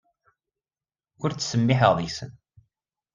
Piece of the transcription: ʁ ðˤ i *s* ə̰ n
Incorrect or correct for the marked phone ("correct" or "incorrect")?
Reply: correct